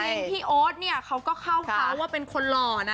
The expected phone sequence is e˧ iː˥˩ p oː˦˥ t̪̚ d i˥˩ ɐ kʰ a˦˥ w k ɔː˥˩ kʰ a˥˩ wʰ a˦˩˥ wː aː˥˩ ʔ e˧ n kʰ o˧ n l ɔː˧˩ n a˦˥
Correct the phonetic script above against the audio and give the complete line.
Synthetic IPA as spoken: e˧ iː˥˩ ʔ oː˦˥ t̪̚ n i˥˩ ɐ kʰ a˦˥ w k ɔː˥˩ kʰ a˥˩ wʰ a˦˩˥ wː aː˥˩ p e˧ n kʰ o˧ n l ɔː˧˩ n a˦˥